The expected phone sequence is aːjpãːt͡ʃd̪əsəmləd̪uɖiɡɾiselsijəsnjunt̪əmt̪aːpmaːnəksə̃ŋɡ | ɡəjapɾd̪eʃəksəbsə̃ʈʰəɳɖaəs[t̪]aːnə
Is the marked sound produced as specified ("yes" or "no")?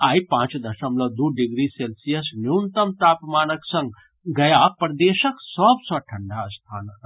no